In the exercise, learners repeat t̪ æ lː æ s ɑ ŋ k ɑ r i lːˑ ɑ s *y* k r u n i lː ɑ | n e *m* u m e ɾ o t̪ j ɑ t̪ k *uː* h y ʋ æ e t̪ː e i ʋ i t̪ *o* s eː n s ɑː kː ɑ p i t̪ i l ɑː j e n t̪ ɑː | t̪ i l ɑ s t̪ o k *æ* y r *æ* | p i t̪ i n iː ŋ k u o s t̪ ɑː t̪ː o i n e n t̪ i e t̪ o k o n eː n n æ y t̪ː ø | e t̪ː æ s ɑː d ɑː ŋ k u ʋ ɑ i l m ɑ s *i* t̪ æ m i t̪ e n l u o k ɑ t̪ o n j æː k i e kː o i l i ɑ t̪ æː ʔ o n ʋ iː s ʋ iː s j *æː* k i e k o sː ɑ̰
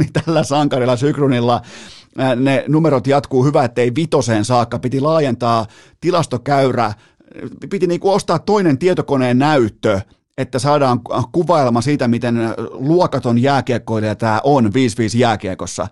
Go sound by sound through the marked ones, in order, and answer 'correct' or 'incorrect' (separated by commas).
correct, incorrect, correct, correct, correct, correct, incorrect, correct